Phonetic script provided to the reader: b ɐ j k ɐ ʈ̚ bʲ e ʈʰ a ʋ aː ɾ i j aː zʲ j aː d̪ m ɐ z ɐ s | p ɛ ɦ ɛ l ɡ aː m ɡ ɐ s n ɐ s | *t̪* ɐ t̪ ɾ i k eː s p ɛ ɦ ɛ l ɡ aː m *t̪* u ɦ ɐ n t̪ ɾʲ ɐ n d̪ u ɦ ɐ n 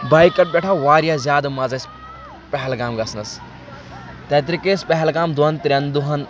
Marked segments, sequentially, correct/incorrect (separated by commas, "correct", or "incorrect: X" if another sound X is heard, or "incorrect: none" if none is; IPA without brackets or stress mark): correct, incorrect: d̪